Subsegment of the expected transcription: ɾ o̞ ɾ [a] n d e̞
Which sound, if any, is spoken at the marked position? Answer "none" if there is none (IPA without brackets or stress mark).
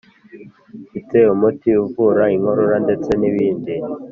a